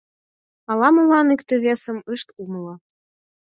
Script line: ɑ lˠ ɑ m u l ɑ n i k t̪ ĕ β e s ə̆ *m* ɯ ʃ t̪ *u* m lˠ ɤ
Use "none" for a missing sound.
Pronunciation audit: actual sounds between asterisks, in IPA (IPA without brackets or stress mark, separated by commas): m, u